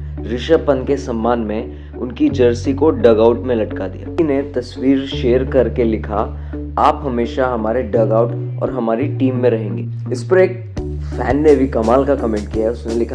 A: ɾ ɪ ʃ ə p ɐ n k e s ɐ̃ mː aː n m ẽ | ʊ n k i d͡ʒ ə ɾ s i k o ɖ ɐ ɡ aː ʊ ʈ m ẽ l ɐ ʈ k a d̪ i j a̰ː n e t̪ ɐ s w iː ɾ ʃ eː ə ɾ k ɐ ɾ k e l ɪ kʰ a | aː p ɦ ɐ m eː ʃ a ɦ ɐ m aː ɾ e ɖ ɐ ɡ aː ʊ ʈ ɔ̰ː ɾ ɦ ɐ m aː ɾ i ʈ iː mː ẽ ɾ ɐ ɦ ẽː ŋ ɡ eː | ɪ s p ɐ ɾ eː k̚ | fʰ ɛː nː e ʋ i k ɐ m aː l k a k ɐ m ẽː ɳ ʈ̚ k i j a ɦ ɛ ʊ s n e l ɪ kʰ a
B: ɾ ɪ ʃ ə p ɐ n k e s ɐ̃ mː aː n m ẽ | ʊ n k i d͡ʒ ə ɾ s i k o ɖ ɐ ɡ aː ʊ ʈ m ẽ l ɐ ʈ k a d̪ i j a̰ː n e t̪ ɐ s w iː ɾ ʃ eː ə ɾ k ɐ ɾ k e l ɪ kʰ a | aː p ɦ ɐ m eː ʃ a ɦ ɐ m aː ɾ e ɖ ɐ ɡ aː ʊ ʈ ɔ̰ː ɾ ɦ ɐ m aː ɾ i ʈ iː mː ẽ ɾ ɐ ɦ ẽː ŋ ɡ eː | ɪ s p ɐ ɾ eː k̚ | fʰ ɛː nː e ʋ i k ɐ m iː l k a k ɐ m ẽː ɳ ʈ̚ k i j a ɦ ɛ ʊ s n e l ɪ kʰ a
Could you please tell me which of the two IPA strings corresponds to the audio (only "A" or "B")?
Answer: A